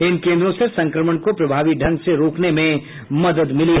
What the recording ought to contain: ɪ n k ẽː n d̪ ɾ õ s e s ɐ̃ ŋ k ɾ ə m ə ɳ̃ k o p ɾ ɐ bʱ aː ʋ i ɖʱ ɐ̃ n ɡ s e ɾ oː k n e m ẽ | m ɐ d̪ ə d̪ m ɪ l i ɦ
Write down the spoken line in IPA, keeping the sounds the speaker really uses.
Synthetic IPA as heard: ɪ n k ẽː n d̪ ɾ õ s e s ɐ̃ ŋ k ɾ ə m ə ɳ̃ k o p ɾ ɐ bʱ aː ʋ i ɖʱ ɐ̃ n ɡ s e ɾ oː k n e m ẽ | m ɐ d̪ ə d̪ m ɪ l i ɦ